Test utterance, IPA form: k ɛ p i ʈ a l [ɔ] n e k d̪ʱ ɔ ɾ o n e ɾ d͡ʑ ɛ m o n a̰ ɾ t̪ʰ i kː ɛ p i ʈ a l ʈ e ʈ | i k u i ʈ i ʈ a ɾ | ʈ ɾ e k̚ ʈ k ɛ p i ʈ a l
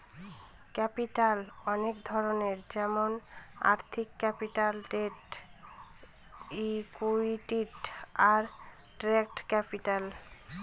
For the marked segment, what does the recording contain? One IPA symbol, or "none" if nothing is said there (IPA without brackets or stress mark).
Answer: ɔ